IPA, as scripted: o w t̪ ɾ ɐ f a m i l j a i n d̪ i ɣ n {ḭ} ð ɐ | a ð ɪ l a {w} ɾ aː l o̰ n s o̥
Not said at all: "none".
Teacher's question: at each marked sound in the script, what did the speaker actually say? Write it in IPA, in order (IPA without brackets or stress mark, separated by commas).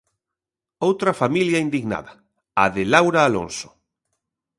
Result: a̰, w